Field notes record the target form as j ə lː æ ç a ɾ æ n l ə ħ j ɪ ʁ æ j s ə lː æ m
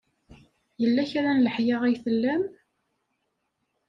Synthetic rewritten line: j ə lː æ ç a ɾ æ n l ə ħ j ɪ ʁ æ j θ ə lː æ m